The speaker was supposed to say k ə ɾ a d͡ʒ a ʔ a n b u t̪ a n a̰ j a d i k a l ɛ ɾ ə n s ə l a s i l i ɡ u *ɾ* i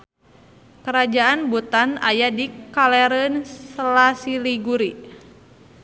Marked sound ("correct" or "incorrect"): correct